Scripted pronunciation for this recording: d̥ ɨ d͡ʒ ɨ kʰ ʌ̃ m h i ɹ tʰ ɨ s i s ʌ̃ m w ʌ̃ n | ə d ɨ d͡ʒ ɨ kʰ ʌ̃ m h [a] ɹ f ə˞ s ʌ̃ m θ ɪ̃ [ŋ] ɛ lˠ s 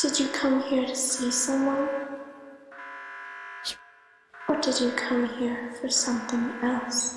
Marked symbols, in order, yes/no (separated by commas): no, yes